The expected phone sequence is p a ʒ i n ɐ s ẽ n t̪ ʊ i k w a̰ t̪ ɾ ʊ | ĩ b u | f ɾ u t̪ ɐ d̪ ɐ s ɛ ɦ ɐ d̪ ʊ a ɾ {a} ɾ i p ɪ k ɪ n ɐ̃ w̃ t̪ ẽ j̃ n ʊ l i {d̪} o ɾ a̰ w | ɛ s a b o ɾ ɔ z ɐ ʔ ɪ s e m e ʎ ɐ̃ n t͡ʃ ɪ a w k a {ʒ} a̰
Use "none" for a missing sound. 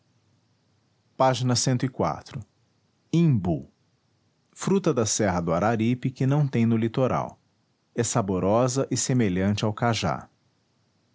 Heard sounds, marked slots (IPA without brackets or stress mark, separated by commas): a, t̪, ʒ